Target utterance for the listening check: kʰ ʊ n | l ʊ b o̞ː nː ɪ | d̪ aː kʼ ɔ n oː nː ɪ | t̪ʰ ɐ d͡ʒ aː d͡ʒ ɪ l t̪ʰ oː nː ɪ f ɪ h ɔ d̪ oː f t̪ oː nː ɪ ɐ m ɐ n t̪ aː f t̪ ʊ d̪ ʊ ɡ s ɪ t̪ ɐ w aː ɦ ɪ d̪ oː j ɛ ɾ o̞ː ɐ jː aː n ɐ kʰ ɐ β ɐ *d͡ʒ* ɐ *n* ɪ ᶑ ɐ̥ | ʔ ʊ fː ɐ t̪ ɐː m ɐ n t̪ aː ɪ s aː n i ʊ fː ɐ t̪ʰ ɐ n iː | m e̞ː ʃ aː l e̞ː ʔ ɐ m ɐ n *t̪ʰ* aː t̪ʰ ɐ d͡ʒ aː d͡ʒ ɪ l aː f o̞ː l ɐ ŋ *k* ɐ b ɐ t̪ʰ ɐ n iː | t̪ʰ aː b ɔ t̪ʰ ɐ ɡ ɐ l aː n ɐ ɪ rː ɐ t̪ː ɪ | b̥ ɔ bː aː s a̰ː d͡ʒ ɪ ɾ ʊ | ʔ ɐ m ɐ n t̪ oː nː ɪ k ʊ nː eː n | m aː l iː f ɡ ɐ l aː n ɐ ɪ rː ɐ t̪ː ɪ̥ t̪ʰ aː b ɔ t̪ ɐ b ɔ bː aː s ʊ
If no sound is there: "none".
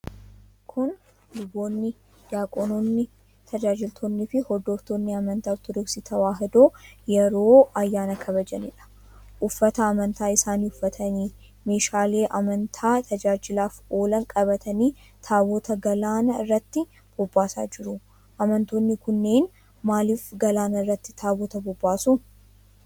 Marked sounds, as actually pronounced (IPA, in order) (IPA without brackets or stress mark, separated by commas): d͡ʒ, n, t̪ʰ, kʼ